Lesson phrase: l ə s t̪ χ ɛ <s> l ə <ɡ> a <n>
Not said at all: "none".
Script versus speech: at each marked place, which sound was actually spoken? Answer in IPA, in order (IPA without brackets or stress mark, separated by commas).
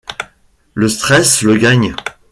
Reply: s, ɡ, ɲ